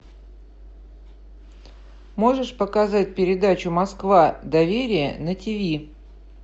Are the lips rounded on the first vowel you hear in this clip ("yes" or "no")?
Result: yes